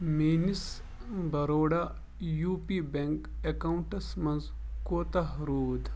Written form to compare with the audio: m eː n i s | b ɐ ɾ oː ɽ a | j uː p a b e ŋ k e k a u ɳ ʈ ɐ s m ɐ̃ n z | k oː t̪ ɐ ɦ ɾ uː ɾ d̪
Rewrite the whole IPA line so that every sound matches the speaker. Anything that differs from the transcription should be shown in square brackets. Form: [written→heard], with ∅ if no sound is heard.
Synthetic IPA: m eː n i s | b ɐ ɾ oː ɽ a | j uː p [a→i] b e ŋ k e k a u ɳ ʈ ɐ s m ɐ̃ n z | k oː t̪ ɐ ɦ ɾ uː [ɾ→∅] d̪